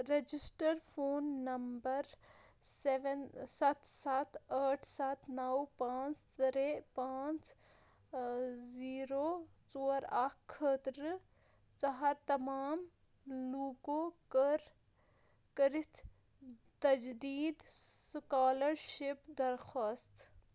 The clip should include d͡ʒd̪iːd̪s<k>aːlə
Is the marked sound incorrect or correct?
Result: correct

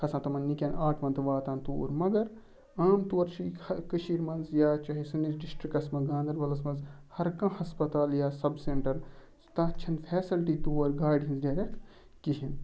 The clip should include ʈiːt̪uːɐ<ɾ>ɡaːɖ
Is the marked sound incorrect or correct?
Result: correct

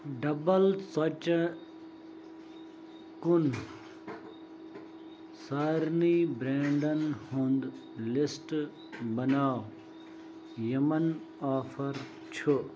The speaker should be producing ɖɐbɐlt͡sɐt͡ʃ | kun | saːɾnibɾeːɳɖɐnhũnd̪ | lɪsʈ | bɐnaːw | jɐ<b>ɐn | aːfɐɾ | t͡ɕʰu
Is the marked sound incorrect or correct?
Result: incorrect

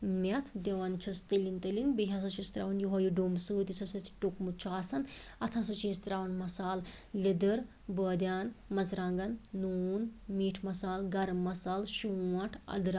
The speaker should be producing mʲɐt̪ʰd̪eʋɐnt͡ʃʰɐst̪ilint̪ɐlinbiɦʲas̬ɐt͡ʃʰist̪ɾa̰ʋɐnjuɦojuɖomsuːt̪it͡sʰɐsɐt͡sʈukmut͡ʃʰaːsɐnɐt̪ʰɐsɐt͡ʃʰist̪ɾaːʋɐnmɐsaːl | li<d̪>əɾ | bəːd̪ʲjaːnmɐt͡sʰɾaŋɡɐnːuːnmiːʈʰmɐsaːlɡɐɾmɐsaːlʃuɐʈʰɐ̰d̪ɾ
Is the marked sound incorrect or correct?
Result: correct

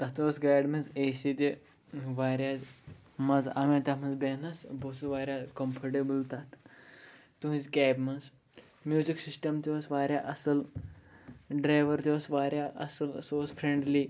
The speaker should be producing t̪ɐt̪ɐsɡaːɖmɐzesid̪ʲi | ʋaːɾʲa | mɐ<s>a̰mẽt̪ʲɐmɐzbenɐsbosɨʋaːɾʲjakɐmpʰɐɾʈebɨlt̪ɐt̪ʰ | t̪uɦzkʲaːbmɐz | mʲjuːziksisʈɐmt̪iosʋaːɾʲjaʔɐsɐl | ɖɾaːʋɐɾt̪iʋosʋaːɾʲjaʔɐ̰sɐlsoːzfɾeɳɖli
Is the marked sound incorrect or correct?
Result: incorrect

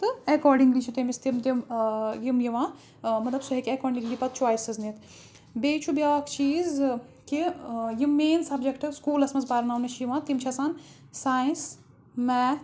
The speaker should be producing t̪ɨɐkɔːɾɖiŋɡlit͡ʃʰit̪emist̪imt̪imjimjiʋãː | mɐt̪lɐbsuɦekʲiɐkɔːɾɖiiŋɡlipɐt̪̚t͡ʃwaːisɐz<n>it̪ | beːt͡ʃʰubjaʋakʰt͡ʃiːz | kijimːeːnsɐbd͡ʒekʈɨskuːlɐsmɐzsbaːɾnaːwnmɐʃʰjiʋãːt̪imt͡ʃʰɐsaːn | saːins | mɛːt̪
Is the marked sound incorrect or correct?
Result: correct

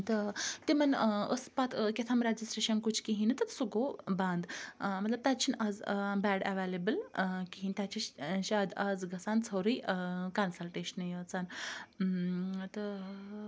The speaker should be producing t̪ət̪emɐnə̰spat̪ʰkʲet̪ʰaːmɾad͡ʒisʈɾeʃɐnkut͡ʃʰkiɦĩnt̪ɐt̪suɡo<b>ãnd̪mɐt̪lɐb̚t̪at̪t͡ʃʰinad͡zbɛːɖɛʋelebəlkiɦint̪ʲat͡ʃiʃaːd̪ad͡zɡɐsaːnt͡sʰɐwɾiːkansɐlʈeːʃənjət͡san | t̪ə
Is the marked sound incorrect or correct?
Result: correct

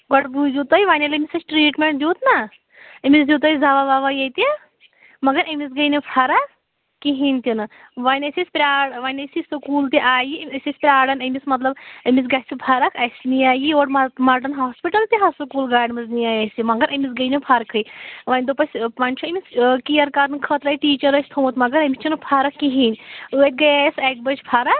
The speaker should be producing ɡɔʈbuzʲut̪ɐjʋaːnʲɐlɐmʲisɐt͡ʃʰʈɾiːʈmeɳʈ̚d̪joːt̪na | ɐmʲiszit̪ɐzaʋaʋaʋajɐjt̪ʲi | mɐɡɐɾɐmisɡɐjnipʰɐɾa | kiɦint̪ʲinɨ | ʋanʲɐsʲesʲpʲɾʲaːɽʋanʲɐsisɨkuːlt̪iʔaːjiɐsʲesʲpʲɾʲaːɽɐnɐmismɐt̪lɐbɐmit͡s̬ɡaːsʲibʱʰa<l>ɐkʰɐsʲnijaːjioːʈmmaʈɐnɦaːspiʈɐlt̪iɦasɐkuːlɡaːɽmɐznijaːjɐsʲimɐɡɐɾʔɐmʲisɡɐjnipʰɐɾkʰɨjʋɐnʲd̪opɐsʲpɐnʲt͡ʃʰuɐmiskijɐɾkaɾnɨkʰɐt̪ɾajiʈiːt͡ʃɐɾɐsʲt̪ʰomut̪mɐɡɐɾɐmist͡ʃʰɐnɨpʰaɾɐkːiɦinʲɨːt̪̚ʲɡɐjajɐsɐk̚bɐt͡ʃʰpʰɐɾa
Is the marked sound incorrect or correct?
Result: incorrect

